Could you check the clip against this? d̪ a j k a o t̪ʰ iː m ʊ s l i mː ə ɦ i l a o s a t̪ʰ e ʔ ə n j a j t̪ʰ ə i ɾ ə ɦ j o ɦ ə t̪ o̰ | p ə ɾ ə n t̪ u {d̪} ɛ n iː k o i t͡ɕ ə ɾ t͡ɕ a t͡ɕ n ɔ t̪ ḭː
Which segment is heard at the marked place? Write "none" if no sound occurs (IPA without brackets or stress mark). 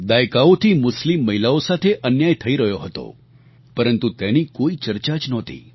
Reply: t̪